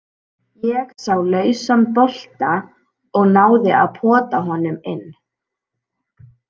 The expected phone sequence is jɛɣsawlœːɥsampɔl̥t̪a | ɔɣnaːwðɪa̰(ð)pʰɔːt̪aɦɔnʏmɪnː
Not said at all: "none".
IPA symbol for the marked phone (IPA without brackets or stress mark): ð